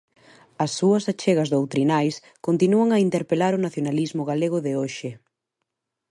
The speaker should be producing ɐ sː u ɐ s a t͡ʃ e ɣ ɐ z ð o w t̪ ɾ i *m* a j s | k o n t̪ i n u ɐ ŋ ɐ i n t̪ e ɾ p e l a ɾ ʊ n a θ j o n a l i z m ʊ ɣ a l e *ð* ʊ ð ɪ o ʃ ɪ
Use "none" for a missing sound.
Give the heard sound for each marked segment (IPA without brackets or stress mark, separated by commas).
n, ɣ